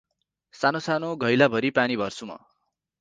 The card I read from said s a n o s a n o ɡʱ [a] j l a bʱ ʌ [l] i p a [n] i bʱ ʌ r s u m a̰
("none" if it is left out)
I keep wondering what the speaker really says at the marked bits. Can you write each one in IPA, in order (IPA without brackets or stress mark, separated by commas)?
ʌ, ɾ, n